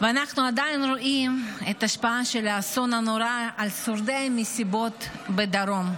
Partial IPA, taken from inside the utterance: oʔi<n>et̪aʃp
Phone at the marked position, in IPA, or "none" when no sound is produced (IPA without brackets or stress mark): m